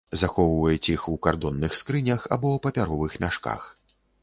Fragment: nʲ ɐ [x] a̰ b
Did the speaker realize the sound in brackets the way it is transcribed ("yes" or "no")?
yes